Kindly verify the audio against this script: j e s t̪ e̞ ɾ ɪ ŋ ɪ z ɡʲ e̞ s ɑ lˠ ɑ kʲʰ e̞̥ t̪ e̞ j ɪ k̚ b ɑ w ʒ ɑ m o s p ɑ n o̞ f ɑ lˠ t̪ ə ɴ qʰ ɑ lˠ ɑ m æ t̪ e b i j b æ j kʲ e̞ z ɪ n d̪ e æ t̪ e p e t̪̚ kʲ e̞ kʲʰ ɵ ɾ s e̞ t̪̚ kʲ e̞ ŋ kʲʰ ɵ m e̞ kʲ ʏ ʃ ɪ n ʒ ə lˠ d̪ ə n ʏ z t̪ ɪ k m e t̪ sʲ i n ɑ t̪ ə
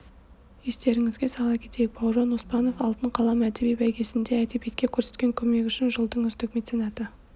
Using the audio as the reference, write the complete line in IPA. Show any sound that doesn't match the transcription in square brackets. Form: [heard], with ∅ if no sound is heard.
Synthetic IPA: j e s t̪ e̞ ɾ ɪ ŋ ɪ z ɡʲ e̞ s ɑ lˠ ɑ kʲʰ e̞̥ t̪ e̞ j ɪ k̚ b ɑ w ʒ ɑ [n] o s p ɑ n o̞ f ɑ lˠ t̪ ə ɴ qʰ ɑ lˠ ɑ m æ t̪ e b i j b æ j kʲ e̞ [s] ɪ n d̪ e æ t̪ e p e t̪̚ kʲ e̞ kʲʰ ɵ ɾ s e̞ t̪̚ kʲ e̞ ŋ kʲʰ ɵ m e̞ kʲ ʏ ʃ ɪ n ʒ ə lˠ d̪ ə [ɴ] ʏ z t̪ ɪ k m e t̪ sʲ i n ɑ t̪ ə

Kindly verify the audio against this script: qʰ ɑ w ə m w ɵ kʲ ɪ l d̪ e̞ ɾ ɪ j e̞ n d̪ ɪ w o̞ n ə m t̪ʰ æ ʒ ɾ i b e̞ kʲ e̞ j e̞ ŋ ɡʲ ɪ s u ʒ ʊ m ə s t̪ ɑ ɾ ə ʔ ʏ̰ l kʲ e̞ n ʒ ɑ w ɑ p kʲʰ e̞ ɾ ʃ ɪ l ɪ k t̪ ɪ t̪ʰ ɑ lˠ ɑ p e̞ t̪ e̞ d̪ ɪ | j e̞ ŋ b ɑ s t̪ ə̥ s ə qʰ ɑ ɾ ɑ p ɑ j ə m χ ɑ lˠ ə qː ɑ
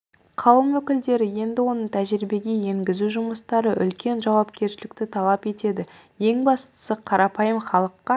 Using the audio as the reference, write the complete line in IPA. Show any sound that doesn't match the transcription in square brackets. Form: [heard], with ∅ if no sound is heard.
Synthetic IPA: qʰ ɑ w ə m w ɵ kʲ ɪ l d̪ e̞ ɾ ɪ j e̞ n d̪ ɪ w o̞ n ə [ɴ] t̪ʰ æ ʒ ɾ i b e̞ [ɡʲ] e̞ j e̞ ŋ ɡʲ ɪ [z] u ʒ ʊ m ə s t̪ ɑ ɾ ə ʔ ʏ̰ l kʲ e̞ n ʒ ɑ w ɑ p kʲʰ e̞ ɾ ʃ ɪ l ɪ k t̪ ɪ t̪ʰ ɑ lˠ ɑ p e̞ t̪ e̞ d̪ ɪ | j e̞ ŋ b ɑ s t̪ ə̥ s ə qʰ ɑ ɾ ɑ p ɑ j ə m χ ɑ lˠ ə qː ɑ

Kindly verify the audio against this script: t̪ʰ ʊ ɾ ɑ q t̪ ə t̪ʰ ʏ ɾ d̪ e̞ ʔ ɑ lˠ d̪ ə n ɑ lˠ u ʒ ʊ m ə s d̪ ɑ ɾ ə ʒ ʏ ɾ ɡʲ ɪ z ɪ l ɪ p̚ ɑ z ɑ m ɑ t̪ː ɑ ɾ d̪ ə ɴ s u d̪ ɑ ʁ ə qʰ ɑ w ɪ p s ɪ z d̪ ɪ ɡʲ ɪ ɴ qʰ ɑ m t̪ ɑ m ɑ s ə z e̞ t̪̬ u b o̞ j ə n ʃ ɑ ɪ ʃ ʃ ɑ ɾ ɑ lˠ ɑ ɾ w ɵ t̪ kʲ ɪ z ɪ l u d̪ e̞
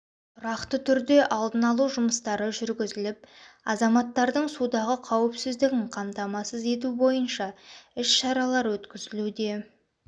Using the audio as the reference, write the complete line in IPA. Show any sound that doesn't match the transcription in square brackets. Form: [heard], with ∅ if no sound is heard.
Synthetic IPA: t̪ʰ ʊ ɾ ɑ q t̪ ə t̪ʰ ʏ ɾ d̪ e̞ ʔ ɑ lˠ d̪ ə n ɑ lˠ u ʒ ʊ m ə s [t̪] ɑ ɾ ə ʒ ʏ ɾ ɡʲ ɪ z ɪ l ɪ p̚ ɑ z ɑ m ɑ t̪ː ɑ ɾ d̪ ə ɴ s u d̪ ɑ ʁ ə qʰ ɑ w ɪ p s ɪ z d̪ ɪ ɡʲ ɪ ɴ qʰ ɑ m t̪ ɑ m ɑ s ə z e̞ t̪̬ u b o̞ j ə n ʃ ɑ ɪ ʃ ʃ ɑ ɾ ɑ lˠ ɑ ɾ w ɵ t̪ kʲ ɪ z ɪ l u d̪ e̞

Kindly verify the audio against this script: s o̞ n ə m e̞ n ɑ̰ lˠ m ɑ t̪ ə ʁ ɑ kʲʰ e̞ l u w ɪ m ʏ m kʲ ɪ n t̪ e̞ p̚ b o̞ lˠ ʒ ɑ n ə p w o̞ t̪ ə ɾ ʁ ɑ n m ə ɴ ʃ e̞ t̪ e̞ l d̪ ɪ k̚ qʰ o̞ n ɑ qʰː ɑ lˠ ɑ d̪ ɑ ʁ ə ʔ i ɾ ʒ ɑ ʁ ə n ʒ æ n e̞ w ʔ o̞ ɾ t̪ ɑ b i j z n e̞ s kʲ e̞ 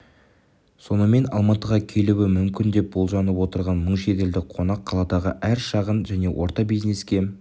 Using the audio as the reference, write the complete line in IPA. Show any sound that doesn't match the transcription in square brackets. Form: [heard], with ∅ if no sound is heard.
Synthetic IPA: s o̞ n ə m e̞ n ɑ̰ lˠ m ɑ t̪ ə ʁ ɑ kʲʰ e̞ l u w ɪ m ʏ m kʲ ɪ n [d̪] e̞ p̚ b o̞ lˠ ʒ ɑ n ə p w o̞ t̪ ə ɾ ʁ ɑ n m ə ɴ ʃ e̞ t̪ e̞ l d̪ ɪ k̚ qʰ o̞ n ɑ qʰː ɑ lˠ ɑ d̪ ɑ ʁ ə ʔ [æ] ɾ [ʃ] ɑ ʁ ə n ʒ æ n e̞ w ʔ o̞ ɾ t̪ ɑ b i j z n e̞ s kʲ e̞

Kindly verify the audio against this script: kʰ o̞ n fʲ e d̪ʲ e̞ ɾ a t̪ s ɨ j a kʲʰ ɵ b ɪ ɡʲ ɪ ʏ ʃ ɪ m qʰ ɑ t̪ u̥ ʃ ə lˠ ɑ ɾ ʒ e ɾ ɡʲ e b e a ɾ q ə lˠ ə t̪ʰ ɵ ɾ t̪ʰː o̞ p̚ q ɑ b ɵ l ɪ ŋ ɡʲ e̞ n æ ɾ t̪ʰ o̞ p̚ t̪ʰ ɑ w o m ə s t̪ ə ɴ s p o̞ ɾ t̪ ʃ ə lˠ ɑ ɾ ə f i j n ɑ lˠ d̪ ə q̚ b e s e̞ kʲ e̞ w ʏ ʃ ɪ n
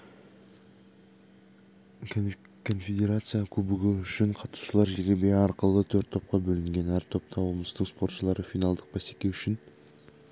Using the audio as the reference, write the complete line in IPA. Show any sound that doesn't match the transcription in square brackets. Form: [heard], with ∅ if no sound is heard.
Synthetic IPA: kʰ o̞ n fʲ e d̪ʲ e̞ ɾ a t̪ s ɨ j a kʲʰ ɵ b ɪ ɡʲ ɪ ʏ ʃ ɪ [ɴ] qʰ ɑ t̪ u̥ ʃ ə lˠ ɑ ɾ ʒ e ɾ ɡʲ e b e [ɑ] ɾ q ə lˠ ə t̪ʰ ɵ ɾ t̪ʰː o̞ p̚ q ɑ b ɵ l ɪ ŋ ɡʲ e̞ n æ ɾ t̪ʰ o̞ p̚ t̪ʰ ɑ w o m ə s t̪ ə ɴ s p o̞ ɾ t̪ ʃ ə lˠ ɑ ɾ ə f i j n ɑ lˠ d̪ ə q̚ b [æ] s e̞ kʲ e̞ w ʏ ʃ ɪ n

